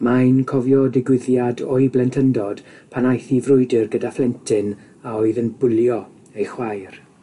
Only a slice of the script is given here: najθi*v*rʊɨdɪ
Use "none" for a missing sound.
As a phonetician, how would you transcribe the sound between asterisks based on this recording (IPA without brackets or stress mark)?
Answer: v